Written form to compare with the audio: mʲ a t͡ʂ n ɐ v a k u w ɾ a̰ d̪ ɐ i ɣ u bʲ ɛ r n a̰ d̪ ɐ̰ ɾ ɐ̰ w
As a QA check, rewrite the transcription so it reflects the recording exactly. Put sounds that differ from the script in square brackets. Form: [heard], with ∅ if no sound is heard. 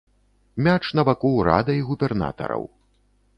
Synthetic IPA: mʲ a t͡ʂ n ɐ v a k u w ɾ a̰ d̪ ɐ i ɣ u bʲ ɛ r n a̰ [t̪] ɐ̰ ɾ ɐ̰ w